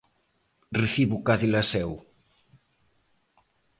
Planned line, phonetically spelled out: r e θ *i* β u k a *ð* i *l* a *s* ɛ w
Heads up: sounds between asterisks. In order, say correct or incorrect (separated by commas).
correct, correct, correct, correct